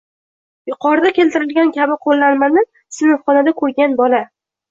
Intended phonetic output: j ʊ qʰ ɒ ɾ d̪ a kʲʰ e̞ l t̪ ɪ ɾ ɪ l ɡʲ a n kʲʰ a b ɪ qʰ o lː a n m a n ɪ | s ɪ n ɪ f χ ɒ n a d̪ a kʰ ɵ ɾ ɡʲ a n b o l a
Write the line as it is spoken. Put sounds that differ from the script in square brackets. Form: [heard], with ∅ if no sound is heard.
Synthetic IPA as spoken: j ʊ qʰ ɒ ɾ d̪ a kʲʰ e̞ l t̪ ɪ ɾ ɪ l ɡʲ a n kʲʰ a b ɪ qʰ o lː a n m a n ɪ | s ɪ n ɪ f χ ɒ n a d̪ a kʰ ɵ ɾ ɡʲ a n b [ɒ] l a